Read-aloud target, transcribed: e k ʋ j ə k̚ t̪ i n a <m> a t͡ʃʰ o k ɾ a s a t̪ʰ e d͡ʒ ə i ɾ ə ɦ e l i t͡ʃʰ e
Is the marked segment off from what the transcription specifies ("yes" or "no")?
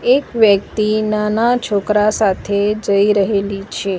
yes